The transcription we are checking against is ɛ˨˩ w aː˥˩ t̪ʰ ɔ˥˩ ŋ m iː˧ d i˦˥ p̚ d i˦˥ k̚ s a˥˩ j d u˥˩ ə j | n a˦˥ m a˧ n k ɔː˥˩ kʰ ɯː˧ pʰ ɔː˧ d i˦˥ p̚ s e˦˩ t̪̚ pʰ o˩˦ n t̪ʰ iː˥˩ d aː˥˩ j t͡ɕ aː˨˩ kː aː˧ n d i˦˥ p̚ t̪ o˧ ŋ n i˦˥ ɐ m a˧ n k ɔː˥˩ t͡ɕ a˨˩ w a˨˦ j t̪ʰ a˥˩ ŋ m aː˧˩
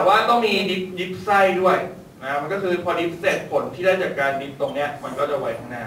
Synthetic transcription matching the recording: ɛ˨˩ w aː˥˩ t̪ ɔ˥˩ ŋ m iː˧ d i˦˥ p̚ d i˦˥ p̚ s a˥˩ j d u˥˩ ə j | n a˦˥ m a˧ n k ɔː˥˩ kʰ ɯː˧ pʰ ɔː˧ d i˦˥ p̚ s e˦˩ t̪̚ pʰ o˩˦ n t̪ʰ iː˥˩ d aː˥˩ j t͡ɕ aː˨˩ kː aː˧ n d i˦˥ p̚ t̪ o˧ ŋ n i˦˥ ɐ m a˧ n k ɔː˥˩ t͡ɕ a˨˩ w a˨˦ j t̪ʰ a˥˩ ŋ n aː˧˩